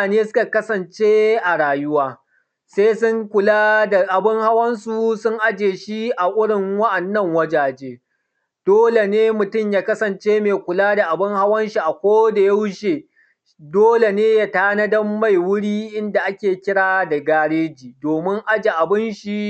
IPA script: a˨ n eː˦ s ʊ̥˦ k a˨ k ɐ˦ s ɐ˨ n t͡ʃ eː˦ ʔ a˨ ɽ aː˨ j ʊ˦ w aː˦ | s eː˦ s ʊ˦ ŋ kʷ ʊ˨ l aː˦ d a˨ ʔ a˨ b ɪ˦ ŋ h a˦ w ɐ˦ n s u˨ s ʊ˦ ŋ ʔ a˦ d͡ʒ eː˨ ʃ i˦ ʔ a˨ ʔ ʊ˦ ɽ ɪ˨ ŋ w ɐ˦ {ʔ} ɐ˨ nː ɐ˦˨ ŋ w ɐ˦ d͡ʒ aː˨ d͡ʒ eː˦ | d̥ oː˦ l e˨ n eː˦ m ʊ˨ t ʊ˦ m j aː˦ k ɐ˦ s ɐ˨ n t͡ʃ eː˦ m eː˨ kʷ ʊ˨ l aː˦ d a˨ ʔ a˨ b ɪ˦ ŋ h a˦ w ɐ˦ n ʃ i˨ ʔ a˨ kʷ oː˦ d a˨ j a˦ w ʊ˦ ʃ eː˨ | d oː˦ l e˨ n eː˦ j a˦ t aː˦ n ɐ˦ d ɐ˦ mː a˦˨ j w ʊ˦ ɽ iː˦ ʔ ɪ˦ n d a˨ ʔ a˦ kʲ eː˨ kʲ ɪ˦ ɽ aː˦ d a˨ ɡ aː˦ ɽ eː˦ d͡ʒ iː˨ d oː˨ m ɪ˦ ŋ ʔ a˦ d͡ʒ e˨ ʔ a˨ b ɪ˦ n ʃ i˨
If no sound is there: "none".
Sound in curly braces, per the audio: ʔ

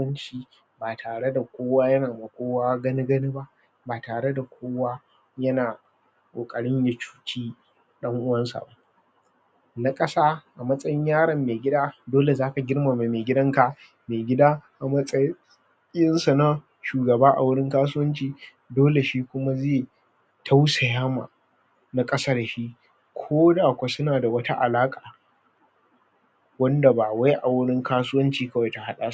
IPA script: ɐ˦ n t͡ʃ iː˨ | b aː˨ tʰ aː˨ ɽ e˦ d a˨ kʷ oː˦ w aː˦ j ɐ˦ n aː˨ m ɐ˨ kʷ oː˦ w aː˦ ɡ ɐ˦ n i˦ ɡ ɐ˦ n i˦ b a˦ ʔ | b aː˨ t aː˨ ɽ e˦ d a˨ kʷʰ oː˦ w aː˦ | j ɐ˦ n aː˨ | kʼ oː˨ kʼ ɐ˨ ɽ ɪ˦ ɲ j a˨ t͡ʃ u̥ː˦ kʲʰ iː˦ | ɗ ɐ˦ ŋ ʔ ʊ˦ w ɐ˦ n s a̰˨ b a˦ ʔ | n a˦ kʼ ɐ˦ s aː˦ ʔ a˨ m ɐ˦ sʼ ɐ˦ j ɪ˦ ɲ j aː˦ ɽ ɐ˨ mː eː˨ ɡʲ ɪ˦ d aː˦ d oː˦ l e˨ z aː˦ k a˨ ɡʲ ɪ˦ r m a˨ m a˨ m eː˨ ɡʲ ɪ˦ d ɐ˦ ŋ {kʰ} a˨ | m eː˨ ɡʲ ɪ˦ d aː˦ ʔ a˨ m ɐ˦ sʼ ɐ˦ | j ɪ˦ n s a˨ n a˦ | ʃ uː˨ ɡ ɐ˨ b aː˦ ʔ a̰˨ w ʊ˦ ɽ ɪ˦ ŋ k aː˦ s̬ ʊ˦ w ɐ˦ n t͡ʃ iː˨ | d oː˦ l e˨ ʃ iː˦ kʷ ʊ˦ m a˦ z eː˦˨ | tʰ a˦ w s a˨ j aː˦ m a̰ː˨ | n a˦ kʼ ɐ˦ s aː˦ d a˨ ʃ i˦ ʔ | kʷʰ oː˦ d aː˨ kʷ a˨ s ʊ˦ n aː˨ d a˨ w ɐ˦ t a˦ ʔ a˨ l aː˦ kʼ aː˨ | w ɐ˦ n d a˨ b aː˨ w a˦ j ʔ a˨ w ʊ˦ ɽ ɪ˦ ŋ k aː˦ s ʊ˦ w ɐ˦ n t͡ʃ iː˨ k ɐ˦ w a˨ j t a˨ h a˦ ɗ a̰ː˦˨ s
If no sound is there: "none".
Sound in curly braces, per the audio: k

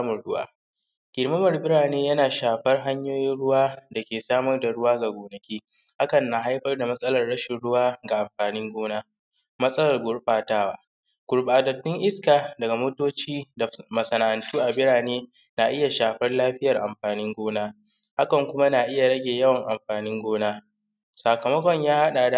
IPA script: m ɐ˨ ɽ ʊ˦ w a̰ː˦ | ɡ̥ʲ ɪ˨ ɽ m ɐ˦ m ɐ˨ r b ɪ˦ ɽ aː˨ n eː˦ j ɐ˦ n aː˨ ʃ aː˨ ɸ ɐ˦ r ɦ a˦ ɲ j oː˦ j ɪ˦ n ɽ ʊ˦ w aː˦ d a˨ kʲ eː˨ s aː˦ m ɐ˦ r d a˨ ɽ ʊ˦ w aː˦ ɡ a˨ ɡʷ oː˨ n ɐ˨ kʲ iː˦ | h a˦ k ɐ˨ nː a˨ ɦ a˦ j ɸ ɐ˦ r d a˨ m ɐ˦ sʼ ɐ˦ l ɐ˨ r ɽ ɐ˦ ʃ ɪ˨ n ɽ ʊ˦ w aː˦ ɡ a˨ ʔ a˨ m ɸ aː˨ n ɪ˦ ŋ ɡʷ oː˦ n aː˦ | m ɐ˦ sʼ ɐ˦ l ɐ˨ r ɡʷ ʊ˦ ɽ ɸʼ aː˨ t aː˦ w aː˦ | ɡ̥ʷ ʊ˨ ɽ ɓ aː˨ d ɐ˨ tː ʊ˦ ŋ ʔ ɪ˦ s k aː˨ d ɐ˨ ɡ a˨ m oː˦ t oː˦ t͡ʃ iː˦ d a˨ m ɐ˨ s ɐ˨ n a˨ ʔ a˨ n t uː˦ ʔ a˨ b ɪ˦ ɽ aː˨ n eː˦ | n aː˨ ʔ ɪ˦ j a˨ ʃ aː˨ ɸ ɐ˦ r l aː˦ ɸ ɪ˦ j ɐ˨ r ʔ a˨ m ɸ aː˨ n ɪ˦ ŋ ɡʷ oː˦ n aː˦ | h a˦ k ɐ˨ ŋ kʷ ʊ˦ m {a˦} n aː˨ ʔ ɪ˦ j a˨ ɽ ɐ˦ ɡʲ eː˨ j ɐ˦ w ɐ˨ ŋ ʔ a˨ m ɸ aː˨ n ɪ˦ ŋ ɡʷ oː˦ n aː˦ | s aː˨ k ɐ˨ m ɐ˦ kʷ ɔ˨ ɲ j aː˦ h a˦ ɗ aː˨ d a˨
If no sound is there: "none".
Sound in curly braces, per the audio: a˦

